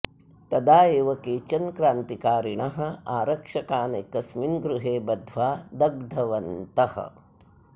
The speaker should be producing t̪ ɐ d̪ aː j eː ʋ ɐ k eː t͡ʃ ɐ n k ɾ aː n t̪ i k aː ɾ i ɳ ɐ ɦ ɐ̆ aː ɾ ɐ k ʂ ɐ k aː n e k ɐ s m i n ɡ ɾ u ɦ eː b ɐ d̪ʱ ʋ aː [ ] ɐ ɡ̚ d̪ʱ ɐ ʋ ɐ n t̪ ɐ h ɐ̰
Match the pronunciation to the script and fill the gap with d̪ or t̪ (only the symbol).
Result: d̪